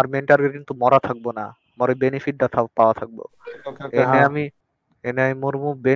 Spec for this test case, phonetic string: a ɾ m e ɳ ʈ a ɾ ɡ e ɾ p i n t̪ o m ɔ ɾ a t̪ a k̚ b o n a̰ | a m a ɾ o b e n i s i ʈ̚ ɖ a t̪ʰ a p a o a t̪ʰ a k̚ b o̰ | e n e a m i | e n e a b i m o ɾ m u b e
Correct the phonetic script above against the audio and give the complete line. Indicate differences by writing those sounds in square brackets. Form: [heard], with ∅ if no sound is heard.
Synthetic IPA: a ɾ m e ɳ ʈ a ɾ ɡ e ɾ [k] i n t̪ [u] m ɔ ɾ a [t̪ʰ] a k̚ b o n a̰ | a m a ɾ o b e n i [f] i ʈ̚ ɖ a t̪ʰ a p a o a t̪ʰ a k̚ b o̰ | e n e a m i | e n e a [m] i m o ɾ m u b e